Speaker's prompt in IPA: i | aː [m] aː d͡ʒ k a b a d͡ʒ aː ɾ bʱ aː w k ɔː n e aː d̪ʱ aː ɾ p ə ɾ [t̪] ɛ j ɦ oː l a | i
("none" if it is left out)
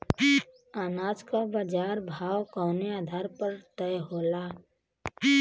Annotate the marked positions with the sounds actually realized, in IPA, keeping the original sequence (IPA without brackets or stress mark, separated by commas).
n, t̪